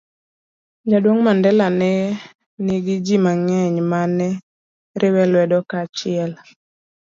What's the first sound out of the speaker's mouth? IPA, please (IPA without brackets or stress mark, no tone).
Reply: d͡ʒ